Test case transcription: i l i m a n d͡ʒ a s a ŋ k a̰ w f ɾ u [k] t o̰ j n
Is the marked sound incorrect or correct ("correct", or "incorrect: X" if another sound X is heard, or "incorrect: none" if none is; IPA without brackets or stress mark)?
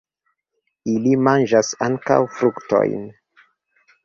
correct